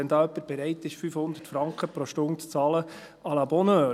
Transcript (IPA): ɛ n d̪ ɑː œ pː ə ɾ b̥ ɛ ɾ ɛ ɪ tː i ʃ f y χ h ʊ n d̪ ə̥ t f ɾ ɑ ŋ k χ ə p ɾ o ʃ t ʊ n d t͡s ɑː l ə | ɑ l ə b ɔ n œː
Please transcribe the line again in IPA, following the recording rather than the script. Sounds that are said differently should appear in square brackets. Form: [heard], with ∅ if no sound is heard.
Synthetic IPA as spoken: ɛ n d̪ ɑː œ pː ə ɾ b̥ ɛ ɾ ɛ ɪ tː [ɪ] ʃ f y [f] h ʊ n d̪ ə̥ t f ɾ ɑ ŋ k χ ə p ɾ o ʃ t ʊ n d t͡s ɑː l ə | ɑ l [ɑ] b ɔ n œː